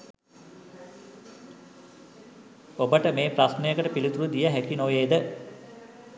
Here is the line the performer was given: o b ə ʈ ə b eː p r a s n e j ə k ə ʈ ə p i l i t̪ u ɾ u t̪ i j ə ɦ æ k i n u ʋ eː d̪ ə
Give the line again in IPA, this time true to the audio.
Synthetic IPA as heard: o b ə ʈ ə m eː p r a s n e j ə k ə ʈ ə p i l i t̪ u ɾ u d̪ i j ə ɦ æ k i n o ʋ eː d̪ ə